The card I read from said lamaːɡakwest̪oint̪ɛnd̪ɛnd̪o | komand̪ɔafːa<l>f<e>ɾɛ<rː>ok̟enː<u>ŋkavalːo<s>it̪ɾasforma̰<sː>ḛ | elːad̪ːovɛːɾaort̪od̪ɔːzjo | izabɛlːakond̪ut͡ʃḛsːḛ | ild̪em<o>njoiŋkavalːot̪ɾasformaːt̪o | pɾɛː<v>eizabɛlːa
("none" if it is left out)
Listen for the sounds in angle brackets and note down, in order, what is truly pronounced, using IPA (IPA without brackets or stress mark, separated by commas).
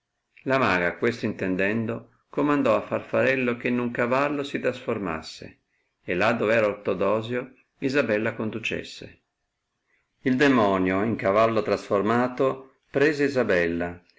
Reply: r, a, lː, u, s, sː, ɔ, z